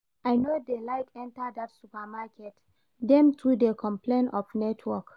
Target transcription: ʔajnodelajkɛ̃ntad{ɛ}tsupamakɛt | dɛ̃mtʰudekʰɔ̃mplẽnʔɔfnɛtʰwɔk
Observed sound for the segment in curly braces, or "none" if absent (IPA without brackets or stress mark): a